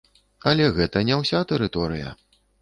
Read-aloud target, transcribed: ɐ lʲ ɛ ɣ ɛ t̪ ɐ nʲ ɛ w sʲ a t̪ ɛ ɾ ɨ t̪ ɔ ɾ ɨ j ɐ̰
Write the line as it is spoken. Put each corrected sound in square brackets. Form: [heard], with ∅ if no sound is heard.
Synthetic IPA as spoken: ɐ lʲ ɛ ɣ ɛ t̪ ɐ nʲ ɛ w sʲ a t̪ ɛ ɾ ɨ t̪ ɔ ɾ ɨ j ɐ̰